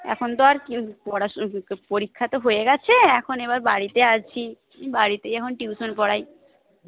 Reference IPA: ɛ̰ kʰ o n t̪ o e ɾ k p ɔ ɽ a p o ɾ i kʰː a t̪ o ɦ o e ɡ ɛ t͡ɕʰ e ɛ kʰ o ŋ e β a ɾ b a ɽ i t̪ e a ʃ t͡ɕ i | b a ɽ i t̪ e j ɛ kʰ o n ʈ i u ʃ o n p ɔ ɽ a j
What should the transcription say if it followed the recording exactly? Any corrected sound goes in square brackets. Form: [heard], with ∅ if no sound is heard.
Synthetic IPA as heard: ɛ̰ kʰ o n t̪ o [a] ɾ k p ɔ ɽ a p o ɾ i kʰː a t̪ o ɦ o e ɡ ɛ t͡ɕʰ e ɛ kʰ o [n] e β a ɾ b a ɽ i t̪ e a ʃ [t͡ɕʰ] i | b a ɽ i t̪ e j ɛ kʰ o n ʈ i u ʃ o n p ɔ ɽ a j